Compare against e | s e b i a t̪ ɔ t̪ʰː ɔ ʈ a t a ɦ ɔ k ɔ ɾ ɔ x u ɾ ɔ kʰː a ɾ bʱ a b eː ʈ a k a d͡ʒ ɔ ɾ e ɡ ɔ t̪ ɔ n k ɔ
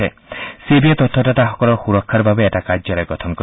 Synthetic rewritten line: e | s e b i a t̪ ɔ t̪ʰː ɔ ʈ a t a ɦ ɔ k ɔ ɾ ɔ x u ɾ ɔ kʰː a ɾ bʱ a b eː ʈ a k a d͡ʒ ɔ ɾ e ɡ ɔ t̪ʰ ɔ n k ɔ